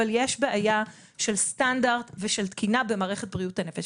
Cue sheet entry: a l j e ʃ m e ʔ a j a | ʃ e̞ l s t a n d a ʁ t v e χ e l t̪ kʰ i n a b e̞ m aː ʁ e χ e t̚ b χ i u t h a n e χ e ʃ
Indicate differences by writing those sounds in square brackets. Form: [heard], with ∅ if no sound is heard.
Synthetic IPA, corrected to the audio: a l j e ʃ [b] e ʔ a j a | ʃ e̞ l s t a n d a ʁ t v e [ʃ] e l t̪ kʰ i n a b e̞ m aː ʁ e χ e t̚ b [ʁ] i u t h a n e [f] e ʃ